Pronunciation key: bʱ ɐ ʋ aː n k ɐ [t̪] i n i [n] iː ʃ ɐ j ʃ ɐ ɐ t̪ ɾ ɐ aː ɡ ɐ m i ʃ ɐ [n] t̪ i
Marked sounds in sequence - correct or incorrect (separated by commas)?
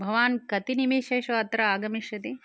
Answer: correct, incorrect, incorrect